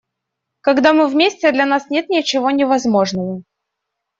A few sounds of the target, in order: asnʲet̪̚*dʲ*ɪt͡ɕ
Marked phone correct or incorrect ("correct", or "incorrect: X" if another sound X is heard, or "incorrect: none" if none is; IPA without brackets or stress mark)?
incorrect: nʲ